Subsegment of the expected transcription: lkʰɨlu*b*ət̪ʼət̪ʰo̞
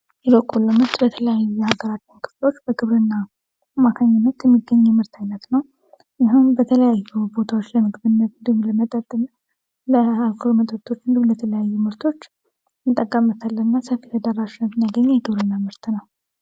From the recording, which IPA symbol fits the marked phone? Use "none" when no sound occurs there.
m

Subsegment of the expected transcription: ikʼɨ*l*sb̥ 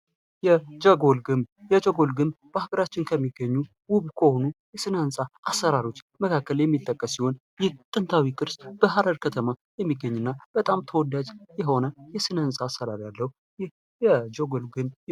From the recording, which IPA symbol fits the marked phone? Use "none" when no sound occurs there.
ɾ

